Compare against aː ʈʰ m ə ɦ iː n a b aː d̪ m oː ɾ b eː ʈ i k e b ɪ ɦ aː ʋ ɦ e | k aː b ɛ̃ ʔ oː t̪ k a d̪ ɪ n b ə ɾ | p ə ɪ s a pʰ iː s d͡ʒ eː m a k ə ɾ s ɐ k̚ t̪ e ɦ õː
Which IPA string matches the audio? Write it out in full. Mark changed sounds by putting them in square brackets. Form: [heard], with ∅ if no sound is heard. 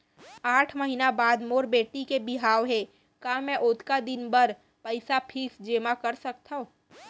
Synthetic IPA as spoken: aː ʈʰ m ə ɦ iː n a b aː d̪ m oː ɾ b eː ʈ i k e b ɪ ɦ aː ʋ ɦ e | k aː [m] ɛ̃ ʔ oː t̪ k a d̪ ɪ n b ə ɾ | p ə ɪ s a pʰ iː s d͡ʒ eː m a k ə ɾ s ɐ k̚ t̪ [a] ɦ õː